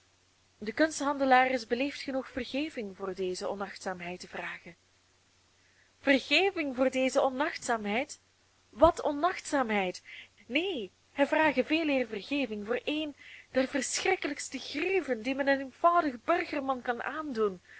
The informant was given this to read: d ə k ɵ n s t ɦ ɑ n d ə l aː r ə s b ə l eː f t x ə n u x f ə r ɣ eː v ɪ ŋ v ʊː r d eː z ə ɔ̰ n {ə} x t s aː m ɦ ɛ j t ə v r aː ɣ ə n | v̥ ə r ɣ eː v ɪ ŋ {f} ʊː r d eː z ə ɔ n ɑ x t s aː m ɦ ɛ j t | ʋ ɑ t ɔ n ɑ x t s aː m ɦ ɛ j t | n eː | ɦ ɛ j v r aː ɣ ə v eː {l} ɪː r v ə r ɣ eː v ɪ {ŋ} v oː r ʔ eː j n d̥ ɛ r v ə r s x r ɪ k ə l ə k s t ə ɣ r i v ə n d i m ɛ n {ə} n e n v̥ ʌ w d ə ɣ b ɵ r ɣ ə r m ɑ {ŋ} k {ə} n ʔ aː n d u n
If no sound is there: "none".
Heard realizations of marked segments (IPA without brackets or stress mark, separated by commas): ɑ, v, l, ŋ, ə, n, ɑ